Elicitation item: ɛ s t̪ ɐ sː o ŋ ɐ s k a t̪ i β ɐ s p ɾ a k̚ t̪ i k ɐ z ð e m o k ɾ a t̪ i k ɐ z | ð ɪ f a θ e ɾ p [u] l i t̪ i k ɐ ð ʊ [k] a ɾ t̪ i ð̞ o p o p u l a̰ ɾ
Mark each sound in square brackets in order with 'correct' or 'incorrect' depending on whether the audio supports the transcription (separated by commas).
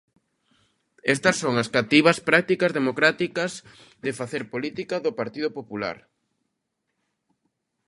incorrect, incorrect